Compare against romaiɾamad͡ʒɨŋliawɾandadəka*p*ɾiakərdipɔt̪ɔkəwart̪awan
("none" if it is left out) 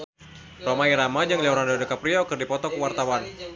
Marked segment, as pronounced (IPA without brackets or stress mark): p